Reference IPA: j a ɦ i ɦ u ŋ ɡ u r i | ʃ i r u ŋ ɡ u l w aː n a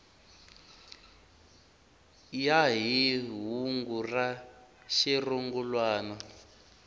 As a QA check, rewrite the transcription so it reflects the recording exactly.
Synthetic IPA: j a ɦ i ɦ u ŋ ɡ u r a | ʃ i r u ŋ ɡ u l w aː n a